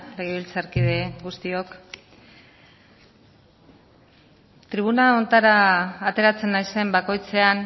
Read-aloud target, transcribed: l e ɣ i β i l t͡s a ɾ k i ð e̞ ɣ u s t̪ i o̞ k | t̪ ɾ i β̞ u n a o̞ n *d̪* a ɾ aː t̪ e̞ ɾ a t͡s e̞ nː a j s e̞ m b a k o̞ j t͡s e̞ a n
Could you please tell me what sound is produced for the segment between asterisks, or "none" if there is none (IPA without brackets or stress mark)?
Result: t̪